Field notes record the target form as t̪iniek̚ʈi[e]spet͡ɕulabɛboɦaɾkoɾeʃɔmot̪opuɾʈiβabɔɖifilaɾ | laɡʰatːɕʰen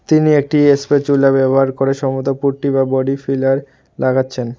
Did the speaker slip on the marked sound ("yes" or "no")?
no